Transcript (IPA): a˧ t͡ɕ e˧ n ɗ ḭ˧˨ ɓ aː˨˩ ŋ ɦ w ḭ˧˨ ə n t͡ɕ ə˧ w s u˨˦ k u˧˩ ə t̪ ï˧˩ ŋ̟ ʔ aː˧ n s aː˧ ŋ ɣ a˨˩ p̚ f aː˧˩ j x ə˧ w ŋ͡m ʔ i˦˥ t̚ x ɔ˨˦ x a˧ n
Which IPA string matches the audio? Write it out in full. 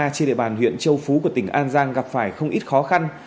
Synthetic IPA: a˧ t͡ɕ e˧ n ɗ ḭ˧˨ ɓ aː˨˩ n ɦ w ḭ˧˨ ə n t͡ɕ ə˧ w f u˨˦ k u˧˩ ə t̪ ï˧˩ ŋ̟ ʔ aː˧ n z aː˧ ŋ ɣ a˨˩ p̚ f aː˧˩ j x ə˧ w ŋ͡m ʔ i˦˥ t̚ x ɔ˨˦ x a˧ n

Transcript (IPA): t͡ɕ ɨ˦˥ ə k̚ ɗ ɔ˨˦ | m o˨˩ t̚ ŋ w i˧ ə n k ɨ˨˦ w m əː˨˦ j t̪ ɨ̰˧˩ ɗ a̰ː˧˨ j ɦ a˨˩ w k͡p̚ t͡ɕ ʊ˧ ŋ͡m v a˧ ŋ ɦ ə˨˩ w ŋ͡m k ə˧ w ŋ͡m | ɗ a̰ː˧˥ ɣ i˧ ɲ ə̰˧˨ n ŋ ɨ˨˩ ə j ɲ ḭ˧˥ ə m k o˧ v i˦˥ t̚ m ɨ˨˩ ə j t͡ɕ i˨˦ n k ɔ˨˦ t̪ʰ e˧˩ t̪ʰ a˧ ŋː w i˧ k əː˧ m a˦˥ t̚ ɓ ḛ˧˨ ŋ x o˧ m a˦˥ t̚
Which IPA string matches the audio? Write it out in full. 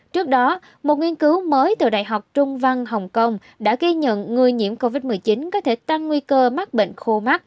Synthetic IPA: t͡ɕ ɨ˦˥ ə k̚ ɗ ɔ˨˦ | m o˨˩ t̚ ŋ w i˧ ə n k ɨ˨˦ w m əː˨˦ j t̪ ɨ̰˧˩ ɗ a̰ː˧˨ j ɦ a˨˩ w k͡p̚ t͡ɕ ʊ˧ ŋ͡m v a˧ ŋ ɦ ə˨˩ w ŋ͡m k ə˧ w ŋ͡m | ɗ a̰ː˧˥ ɣ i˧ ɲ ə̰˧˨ n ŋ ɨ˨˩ ə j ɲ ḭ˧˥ ə m k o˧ v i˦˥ t̚ m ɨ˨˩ ə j t͡ɕ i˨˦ n k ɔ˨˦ t̪ʰ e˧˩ t̪ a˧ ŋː w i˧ k əː˧ m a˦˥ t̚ ɓ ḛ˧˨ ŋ x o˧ m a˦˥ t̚

